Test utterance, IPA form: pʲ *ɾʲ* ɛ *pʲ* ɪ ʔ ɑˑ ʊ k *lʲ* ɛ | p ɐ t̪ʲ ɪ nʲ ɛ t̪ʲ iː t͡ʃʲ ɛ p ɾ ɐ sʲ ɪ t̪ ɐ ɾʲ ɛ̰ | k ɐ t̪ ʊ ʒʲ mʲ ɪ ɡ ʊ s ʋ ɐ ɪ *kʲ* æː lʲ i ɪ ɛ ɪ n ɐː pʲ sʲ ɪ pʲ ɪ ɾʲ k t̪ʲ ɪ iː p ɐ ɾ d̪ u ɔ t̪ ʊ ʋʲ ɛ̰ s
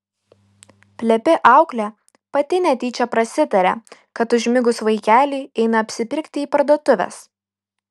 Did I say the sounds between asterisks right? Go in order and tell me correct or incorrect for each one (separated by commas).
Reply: incorrect, correct, correct, correct